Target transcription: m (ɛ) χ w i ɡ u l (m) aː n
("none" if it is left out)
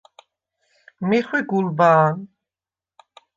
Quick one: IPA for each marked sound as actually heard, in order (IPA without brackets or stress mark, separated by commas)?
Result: i, b